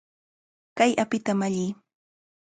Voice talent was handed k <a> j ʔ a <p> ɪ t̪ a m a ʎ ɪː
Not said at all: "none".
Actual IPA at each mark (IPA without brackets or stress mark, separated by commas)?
a, p